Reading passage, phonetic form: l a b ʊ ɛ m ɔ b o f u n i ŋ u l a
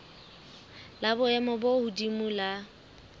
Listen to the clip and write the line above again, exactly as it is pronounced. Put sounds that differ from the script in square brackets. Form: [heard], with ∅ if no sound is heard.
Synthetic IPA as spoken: l a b ʊ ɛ m ɔ b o [h] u [d] i [m] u l a